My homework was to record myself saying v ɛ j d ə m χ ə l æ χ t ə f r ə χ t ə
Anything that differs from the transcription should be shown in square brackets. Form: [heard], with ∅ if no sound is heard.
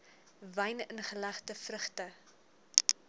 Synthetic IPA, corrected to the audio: v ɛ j [n] ə [n] χ ə l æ χ t ə f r ə χ t ə